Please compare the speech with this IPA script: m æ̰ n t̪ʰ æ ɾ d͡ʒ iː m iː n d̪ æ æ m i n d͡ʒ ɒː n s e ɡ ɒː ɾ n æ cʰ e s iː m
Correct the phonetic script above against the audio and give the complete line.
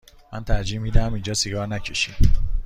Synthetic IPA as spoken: m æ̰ n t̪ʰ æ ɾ d͡ʒ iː m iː d̪ æ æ m i n d͡ʒ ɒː s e ɡ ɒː ɾ n æ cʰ e ʃ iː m